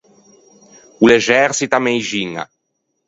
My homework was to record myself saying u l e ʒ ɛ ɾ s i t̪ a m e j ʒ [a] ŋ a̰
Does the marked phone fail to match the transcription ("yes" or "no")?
yes